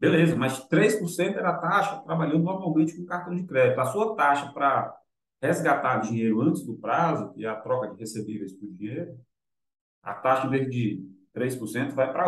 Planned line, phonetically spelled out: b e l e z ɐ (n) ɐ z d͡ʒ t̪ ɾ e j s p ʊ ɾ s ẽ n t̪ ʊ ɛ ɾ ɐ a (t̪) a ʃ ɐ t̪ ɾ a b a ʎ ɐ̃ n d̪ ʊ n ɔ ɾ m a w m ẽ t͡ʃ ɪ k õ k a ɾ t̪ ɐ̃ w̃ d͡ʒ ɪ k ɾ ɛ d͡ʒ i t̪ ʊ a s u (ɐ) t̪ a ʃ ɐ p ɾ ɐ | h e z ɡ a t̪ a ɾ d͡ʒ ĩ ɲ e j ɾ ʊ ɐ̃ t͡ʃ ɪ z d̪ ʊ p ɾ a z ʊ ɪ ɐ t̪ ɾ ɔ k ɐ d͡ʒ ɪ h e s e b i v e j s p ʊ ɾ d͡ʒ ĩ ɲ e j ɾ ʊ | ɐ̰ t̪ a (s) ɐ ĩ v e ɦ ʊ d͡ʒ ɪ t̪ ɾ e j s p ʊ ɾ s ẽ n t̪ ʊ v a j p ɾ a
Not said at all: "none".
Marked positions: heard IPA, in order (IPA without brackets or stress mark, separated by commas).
m, t̪, ɐ, ʃ